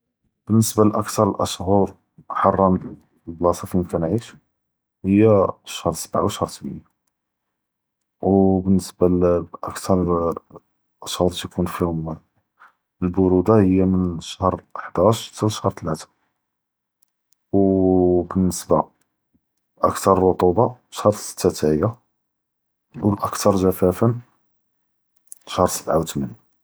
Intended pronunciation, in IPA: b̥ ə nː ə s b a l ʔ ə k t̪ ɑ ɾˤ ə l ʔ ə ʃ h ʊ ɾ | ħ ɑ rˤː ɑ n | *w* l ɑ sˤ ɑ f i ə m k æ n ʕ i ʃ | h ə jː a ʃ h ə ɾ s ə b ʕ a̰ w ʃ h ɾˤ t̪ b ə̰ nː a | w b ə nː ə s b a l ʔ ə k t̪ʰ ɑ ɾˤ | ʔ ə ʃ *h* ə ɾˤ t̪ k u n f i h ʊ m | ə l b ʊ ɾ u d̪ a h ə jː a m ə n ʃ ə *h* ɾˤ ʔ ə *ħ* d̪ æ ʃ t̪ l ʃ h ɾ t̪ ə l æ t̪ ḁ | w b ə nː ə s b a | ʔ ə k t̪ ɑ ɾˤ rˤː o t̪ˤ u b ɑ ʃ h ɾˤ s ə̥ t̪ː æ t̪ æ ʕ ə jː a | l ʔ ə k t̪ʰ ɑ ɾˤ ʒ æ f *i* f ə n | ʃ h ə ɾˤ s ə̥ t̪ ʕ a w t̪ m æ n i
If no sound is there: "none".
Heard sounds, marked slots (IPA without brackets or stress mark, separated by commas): b, h, h, ħ, æ